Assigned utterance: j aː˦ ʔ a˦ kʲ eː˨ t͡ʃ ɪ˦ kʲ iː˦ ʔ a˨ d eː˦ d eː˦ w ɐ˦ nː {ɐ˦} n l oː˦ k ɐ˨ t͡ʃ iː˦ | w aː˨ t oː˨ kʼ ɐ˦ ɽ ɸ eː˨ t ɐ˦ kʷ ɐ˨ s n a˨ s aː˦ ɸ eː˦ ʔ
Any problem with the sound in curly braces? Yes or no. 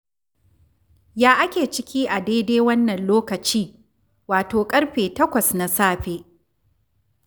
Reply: yes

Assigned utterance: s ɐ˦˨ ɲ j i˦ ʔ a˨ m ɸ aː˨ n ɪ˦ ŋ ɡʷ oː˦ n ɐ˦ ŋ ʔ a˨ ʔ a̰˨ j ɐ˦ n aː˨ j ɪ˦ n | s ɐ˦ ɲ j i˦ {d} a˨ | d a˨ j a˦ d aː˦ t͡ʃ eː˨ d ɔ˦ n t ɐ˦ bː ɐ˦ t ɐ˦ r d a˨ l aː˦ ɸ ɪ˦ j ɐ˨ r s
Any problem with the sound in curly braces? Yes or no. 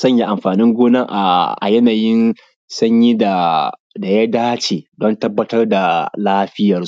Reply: no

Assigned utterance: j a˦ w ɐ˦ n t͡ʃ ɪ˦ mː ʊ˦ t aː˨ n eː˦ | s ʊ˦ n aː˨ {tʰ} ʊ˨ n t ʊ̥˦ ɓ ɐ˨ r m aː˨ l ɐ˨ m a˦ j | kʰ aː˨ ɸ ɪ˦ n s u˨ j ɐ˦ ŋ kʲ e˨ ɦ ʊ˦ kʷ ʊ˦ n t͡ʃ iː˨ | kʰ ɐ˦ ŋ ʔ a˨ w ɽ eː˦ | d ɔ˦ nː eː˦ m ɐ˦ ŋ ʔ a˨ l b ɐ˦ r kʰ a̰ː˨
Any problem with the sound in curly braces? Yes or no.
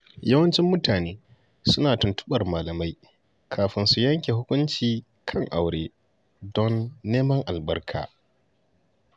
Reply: yes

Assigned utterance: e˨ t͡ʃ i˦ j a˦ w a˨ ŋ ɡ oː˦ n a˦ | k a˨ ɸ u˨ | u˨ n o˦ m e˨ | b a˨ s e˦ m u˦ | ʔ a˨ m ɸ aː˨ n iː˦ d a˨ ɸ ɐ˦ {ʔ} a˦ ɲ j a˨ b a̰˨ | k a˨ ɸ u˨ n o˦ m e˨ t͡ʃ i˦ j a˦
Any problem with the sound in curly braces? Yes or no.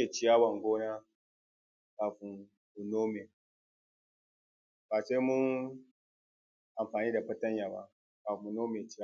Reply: yes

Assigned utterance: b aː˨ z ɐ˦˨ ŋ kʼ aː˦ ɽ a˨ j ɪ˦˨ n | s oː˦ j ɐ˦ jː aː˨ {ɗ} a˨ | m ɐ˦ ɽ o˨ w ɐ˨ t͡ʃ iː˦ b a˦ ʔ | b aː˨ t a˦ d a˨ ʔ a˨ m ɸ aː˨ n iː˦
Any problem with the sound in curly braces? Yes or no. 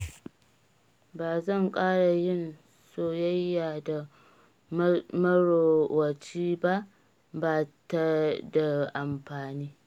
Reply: yes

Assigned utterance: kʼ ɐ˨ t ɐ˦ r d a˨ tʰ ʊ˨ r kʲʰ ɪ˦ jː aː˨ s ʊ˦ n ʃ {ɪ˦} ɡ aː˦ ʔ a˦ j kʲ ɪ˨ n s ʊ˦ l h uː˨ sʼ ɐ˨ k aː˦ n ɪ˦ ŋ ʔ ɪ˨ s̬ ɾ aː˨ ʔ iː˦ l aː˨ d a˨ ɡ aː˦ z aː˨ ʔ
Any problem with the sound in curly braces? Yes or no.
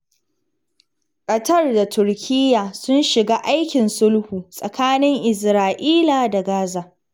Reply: yes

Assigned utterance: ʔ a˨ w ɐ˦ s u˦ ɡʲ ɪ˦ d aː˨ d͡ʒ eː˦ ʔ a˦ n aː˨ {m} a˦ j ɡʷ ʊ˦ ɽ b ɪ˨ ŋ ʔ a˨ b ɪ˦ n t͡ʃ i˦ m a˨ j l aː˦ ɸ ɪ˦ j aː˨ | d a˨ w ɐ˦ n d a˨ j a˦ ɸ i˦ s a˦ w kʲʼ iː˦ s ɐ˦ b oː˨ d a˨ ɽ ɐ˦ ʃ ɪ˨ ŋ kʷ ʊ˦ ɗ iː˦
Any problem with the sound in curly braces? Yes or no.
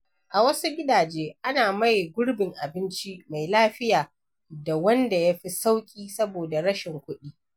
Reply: no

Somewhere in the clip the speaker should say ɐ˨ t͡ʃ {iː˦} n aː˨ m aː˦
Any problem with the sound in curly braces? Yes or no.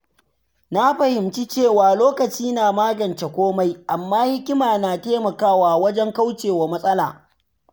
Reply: no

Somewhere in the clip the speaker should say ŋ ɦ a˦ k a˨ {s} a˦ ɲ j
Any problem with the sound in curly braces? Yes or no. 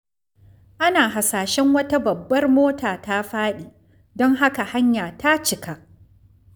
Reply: yes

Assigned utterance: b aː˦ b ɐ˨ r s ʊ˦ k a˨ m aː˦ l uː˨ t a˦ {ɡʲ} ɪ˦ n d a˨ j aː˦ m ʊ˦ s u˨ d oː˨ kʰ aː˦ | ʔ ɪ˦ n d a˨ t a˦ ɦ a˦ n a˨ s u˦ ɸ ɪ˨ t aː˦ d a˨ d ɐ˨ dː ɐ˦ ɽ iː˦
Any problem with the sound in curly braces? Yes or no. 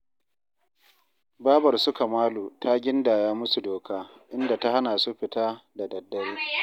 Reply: no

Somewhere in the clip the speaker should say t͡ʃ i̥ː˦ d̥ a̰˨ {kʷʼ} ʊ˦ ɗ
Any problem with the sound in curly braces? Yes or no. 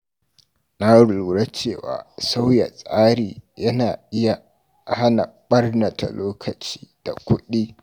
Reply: yes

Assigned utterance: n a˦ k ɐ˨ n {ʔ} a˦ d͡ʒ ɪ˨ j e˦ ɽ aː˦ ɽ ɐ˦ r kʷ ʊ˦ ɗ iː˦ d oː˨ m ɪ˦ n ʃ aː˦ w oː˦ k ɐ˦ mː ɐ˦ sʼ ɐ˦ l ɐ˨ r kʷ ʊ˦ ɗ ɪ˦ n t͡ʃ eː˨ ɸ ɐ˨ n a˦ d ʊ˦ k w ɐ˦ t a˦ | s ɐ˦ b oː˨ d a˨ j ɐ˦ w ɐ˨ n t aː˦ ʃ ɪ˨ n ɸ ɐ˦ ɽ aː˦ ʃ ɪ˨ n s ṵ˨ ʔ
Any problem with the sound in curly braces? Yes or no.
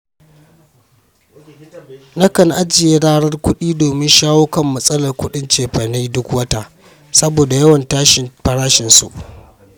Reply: no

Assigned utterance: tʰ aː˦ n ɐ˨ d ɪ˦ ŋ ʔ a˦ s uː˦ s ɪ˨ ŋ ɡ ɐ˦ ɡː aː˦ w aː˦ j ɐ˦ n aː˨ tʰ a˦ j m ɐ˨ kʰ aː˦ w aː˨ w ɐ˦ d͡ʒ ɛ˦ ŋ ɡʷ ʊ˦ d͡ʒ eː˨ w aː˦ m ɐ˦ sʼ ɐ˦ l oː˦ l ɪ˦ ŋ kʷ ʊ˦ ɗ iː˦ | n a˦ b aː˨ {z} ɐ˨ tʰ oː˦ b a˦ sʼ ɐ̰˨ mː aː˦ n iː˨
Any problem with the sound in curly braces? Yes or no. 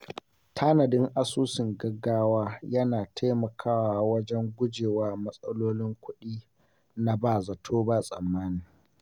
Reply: no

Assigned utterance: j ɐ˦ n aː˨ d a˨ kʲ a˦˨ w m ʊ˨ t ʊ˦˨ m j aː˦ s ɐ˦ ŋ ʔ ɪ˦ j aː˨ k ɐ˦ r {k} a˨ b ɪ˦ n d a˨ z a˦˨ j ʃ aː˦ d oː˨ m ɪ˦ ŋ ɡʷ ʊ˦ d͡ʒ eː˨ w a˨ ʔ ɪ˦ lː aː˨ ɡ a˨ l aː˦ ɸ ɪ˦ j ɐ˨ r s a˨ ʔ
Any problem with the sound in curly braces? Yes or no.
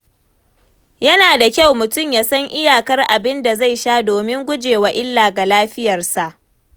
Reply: yes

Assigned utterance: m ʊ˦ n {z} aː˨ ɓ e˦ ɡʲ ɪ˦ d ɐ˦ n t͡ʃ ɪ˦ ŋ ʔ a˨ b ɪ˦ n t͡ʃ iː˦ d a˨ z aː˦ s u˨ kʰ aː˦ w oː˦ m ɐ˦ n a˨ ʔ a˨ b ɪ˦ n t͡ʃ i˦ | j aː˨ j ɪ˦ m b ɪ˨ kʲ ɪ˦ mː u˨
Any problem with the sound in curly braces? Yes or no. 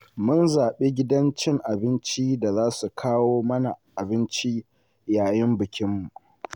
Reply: no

